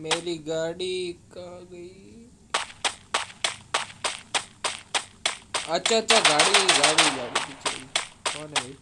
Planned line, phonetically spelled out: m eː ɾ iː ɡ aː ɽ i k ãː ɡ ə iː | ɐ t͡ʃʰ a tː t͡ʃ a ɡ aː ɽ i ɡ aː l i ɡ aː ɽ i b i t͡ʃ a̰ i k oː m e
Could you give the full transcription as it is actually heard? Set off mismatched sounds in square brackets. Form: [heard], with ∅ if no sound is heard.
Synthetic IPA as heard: m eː ɾ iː ɡ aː ɽ i k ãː ɡ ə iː | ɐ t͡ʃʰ a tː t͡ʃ a ɡ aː ɽ i ɡ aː [ɽ] i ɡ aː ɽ i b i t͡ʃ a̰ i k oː [n] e

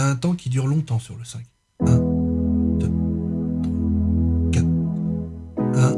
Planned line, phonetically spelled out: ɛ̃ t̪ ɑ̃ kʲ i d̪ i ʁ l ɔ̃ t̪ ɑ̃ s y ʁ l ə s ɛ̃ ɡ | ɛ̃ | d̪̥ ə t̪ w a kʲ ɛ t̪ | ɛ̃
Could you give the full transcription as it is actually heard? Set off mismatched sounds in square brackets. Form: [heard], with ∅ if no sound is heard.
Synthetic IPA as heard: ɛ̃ t̪ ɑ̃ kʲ i d̪ [y] ʁ l ɔ̃ t̪ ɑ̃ s y ʁ l ə s ɛ̃ [k] | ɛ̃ | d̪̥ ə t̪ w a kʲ [a] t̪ | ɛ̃

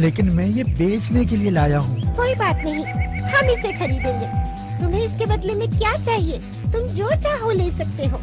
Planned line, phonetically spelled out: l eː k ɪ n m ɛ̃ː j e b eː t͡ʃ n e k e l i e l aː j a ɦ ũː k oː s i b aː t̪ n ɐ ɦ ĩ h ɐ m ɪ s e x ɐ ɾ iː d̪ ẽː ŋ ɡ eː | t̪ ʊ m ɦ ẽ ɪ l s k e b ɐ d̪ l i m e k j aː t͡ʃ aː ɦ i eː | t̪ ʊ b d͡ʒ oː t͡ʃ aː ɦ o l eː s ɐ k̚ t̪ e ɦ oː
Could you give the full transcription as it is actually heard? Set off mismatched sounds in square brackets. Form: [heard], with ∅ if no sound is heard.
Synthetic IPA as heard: l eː k ɪ n m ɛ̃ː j e b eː t͡ʃ n e k e l i e l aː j a ɦ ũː k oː [∅] i b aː t̪ n ɐ ɦ ĩ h ɐ m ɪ s e x ɐ ɾ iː d̪ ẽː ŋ ɡ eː | t̪ ʊ m ɦ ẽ ɪ [∅] s k e b ɐ d̪ l [e] m [ẽ] k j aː t͡ʃ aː ɦ i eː | t̪ ʊ [m] d͡ʒ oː t͡ʃ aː ɦ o l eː s ɐ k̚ t̪ e ɦ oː

